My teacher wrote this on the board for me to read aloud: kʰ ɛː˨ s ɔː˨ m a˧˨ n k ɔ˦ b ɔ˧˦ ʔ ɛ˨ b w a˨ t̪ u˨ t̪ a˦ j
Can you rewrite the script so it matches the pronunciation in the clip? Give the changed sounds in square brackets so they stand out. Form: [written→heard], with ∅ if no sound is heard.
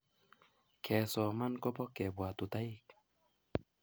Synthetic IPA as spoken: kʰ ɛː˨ s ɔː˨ m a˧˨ n k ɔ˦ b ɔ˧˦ [ʔ→k] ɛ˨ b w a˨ t̪ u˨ t̪ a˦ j